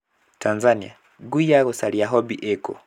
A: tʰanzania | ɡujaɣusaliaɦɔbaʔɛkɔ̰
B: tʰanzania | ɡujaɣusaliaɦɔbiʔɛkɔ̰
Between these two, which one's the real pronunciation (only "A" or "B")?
B